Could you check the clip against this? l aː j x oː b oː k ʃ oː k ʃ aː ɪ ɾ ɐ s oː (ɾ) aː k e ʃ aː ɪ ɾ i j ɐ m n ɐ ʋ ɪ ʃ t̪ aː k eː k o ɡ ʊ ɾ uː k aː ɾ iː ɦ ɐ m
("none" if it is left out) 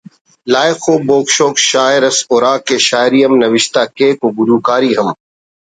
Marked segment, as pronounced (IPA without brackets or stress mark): ɾ